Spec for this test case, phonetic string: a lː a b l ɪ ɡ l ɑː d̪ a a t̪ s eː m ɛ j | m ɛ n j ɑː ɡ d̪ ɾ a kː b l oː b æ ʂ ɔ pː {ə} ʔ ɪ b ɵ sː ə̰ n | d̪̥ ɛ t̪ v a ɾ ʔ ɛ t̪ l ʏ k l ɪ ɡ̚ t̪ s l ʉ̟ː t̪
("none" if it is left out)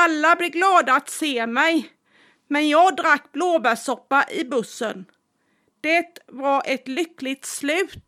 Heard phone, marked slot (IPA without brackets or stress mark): a